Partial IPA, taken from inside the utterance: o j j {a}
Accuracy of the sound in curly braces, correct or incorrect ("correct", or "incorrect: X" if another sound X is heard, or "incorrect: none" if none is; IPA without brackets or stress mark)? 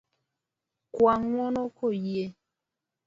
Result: incorrect: e